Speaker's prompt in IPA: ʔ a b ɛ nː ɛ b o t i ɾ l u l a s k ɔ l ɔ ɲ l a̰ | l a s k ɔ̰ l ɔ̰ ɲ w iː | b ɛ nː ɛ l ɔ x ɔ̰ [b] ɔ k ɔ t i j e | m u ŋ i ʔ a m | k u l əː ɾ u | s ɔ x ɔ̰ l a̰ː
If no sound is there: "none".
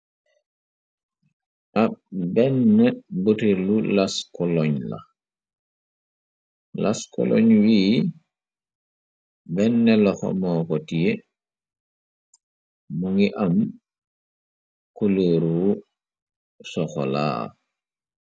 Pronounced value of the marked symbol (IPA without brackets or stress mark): m